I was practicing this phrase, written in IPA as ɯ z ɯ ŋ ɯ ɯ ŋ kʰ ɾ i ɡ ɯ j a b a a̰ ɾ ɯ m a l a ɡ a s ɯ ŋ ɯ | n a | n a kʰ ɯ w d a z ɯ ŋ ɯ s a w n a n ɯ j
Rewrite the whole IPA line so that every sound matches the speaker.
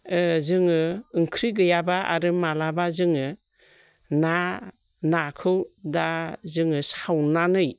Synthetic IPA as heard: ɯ z ɯ ŋ ɯ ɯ ŋ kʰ ɾ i ɡ ɯ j a b a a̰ ɾ ɯ m a l a b a z ɯ ŋ ɯ | n a | n a kʰ ɯ w d a z ɯ ŋ ɯ s a w n a n ɯ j